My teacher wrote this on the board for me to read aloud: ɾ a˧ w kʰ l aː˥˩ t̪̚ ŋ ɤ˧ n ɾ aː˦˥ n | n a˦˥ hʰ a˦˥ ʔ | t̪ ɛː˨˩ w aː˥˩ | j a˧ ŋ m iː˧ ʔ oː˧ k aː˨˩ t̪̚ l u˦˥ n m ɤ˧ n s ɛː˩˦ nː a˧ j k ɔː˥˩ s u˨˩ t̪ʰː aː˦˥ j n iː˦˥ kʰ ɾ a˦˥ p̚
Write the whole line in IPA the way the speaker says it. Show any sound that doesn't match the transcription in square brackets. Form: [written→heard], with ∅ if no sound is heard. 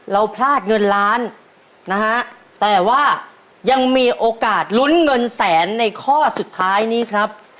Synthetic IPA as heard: ɾ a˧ w [kʰ→pʰ] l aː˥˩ t̪̚ ŋ ɤ˧ n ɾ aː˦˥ n | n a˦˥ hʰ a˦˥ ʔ | t̪ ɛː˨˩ w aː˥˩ | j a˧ ŋ m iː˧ ʔ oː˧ k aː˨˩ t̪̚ l u˦˥ n [m→ŋ] ɤ˧ n s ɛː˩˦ nː a˧ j [k→kʰ] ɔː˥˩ s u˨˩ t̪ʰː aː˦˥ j n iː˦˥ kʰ ɾ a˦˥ p̚